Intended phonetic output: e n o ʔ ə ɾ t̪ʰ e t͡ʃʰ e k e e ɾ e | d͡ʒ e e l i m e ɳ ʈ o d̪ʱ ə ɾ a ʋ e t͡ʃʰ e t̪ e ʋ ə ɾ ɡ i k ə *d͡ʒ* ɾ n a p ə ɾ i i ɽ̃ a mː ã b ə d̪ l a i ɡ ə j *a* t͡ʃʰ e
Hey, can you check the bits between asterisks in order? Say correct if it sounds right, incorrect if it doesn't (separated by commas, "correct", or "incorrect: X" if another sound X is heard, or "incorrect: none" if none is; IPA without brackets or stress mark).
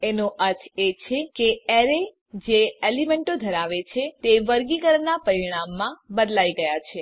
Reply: incorrect: none, correct